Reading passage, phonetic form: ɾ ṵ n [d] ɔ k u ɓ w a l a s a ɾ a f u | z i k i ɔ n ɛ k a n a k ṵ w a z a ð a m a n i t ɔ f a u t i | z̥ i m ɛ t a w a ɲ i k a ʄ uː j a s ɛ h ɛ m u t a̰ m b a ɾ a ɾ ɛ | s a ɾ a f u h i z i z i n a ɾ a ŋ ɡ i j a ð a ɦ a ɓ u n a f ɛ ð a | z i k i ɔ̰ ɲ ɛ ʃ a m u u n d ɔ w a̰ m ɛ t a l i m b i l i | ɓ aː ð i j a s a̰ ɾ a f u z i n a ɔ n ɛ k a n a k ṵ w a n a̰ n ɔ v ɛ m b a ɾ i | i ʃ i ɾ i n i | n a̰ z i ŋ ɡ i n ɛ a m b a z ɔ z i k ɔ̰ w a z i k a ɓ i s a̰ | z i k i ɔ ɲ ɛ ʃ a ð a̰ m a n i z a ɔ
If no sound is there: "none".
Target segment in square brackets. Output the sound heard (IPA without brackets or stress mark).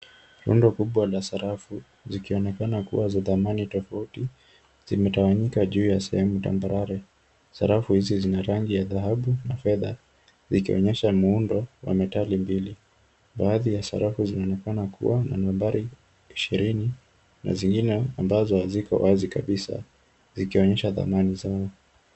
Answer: d